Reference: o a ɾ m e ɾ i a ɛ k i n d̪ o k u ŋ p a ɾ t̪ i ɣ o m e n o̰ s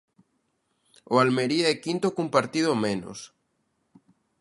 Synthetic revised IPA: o a l m e ɾ i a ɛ k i n t̪ o k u m p a ɾ t̪ i ð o m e n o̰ s